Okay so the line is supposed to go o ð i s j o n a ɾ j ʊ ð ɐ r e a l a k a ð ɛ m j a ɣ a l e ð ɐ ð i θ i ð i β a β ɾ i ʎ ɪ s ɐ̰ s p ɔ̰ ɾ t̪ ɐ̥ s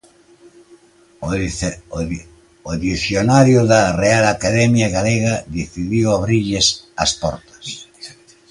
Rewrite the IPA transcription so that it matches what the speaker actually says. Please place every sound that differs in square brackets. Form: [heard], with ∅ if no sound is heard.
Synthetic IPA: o ð i [θ] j o n a ɾ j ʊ ð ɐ r e a l a k a ð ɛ m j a ɣ a l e [ɣ] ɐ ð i θ i ð i [w] a β ɾ i ʎ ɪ s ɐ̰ s p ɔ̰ ɾ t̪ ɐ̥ s